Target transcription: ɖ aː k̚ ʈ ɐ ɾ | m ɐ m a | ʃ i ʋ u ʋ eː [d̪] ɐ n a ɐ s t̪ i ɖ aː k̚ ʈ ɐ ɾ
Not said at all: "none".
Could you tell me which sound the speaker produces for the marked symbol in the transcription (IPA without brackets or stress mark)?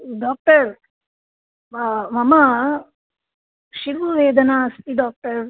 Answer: d̪